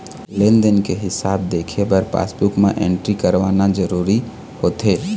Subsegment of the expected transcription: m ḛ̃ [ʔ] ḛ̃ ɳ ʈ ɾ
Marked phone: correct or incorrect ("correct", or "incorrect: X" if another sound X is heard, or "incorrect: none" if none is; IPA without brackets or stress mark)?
correct